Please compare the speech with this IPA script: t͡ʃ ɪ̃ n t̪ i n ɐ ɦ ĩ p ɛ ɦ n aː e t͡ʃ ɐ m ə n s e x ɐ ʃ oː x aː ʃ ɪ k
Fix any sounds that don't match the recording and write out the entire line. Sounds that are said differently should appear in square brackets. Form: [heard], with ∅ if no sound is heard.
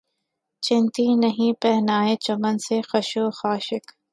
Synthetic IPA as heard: t͡ʃ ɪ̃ n t̪ i n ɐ ɦ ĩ p ɛ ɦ n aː e t͡ʃ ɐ m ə n s e x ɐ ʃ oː x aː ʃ ɪ k